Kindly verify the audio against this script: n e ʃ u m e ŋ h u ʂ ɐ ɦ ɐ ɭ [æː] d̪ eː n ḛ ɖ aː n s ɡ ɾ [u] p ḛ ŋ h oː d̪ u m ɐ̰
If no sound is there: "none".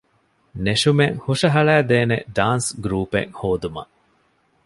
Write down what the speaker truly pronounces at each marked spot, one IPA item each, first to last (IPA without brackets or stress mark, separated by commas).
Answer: æː, uː